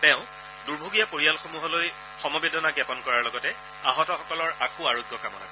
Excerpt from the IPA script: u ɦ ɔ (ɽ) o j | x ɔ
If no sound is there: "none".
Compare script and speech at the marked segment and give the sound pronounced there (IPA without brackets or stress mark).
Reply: l